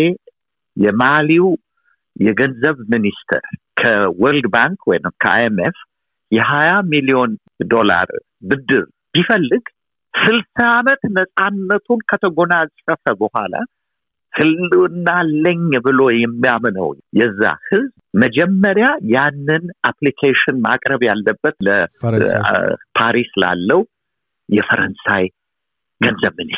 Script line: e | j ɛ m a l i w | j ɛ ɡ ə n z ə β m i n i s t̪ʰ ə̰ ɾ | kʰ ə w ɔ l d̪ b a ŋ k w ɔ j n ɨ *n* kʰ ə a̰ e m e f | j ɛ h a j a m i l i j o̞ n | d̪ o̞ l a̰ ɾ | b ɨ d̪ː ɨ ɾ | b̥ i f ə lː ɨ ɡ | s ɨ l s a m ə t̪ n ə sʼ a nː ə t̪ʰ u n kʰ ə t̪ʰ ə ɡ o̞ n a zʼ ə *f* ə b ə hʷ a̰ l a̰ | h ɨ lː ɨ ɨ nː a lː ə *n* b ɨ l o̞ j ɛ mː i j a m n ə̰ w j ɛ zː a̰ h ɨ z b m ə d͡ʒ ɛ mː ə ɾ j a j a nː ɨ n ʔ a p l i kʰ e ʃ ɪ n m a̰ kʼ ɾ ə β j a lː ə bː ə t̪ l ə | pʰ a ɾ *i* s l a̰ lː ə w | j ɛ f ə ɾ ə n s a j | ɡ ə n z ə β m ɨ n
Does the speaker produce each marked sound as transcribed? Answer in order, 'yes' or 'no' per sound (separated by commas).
no, yes, no, yes